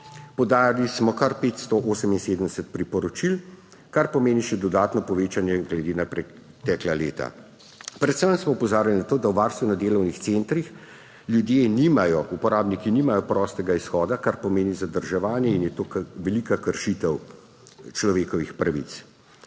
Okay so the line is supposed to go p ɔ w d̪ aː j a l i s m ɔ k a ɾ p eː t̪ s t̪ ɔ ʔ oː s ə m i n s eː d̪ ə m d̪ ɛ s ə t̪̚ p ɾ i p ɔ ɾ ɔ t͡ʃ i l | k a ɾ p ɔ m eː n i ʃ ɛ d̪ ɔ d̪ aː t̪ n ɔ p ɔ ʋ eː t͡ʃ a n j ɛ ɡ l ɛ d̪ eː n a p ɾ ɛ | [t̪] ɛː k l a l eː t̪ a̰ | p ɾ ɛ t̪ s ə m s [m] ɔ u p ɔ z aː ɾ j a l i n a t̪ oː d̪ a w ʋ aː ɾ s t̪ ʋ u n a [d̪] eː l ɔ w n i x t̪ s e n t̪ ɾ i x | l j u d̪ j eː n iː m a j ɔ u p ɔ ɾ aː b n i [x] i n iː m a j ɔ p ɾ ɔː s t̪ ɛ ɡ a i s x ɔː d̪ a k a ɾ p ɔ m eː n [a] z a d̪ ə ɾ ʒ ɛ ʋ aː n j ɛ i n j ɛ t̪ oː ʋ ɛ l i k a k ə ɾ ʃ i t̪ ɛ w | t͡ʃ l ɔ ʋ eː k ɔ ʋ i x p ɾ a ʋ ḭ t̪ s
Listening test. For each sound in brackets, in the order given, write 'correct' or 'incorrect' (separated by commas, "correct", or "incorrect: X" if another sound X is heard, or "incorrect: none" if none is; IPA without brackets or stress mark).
correct, correct, correct, incorrect: k, incorrect: i